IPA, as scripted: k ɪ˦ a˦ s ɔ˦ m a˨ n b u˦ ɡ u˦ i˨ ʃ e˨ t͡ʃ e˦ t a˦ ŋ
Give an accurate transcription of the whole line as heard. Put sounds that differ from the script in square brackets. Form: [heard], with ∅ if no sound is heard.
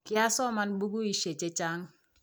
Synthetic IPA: k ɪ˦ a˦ s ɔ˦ m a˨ n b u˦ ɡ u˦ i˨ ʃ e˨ t͡ʃ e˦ [t͡ʃ] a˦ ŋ